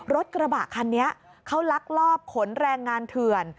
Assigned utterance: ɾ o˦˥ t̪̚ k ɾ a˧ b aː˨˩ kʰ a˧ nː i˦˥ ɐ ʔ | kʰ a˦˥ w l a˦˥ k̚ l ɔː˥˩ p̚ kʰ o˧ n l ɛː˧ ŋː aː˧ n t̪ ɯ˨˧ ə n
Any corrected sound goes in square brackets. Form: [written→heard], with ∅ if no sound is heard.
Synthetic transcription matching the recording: ɾ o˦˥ t̪̚ k ɾ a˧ b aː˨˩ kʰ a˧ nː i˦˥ ɐ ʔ | kʰ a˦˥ w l a˦˥ k̚ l ɔː˥˩ p̚ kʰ [o˧→o˩˦] n [l→ɾ] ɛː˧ ŋː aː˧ n [t̪→t̪ʰ] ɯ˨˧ ə n